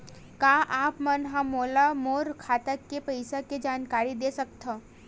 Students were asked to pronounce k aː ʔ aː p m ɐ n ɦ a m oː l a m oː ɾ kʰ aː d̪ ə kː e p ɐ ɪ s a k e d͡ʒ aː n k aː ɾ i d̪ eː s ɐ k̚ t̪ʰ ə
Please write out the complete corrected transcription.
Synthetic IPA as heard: k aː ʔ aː p m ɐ n ɦ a m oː l a m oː ɾ kʰ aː t̪ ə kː e p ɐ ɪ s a k e d͡ʒ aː n k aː ɾ i d̪ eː s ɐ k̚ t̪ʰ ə

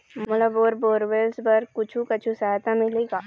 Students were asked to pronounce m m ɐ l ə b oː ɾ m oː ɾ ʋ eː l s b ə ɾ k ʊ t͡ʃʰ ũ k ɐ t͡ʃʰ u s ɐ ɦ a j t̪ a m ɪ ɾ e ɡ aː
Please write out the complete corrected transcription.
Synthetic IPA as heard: m m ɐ l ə b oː ɾ b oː ɾ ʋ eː l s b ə ɾ k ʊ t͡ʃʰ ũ k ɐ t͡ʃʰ u s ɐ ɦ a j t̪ a m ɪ l e ɡ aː

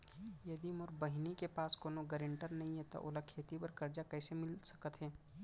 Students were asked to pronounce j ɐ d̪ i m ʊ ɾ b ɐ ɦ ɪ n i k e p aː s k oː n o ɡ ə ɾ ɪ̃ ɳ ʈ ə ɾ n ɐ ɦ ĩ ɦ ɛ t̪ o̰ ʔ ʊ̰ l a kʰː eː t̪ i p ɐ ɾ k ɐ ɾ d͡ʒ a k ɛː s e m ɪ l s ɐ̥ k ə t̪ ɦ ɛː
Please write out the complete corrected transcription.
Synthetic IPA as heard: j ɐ d̪ i m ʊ ɾ b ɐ ɦ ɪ n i k e p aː s k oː n o ɡ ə ɾ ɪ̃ ɳ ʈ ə ɾ n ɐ ɦ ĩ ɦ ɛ t̪ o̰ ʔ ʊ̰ l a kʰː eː t̪ i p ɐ ɾ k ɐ ɾ d͡ʒ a k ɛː s e m ɪ l s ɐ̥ k ə t̪ ɦ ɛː

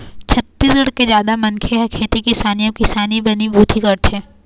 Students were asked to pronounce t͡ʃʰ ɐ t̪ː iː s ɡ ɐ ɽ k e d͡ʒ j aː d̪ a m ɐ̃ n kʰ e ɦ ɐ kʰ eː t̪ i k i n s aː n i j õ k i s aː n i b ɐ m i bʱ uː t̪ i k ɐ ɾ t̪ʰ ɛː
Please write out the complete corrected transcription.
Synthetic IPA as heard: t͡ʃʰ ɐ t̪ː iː s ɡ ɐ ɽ k e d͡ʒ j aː d̪ a m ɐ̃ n kʰ e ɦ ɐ kʰ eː t̪ i k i s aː n i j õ k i s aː n i b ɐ n i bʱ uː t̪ i k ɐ ɾ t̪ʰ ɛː

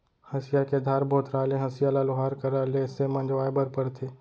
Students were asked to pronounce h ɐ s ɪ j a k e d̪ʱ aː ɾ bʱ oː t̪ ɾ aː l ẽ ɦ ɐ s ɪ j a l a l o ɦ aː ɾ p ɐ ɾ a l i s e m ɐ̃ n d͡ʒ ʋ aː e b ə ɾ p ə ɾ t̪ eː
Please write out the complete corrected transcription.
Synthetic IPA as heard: h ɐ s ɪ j a k e d̪ʱ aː ɾ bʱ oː t̪ ɾ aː l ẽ ɦ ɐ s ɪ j a l a l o ɦ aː ɾ k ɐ ɾ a l e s e m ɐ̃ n d͡ʒ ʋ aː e b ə ɾ p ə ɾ t̪ʰ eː

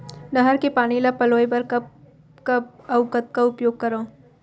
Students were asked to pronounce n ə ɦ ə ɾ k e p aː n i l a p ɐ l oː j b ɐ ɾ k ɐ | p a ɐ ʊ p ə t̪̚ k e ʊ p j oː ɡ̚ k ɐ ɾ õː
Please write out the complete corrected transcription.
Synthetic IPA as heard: n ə ɦ ə ɾ k e p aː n i l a p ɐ l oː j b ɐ ɾ k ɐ | k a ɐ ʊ k ə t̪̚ k a ʊ p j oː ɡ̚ k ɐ ɾ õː

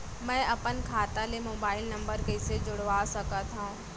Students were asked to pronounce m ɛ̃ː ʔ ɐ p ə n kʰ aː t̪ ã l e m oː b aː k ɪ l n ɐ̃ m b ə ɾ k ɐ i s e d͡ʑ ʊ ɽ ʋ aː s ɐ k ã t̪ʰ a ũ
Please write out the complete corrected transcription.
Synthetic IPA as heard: m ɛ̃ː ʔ ɐ p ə n kʰ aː t̪ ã l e m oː b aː ɪ l n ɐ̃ m b ə ɾ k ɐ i s e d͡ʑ ʊ ɽ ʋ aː s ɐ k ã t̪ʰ a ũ

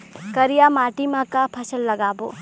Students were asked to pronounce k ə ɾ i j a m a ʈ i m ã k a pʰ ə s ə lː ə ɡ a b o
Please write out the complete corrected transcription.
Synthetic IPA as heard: k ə ɾ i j a m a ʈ i m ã k a pʰ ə s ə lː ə ɡ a b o

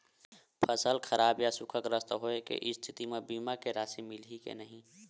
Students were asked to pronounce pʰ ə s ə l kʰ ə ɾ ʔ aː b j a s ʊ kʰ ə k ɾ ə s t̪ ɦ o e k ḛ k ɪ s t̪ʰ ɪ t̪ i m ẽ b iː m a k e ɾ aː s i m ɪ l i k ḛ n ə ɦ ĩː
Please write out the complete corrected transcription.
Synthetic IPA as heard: pʰ ə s ə l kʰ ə ɾ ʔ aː b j a s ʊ kʰ ə k ɾ ə s t̪ ɦ o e k ḛ ʔ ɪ s t̪ʰ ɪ t̪ i m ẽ b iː m a k e ɾ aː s i m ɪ l i k ḛ n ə ɦ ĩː

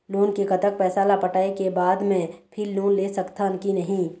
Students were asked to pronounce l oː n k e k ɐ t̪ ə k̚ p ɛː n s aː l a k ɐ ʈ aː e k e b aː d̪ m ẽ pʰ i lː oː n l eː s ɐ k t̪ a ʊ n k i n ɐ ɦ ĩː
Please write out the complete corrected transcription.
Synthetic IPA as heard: l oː n k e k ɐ t̪ ə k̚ p ɛː s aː l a p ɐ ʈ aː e k e b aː d̪ m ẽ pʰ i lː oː n l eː s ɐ k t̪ a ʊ n k i n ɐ ɦ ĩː

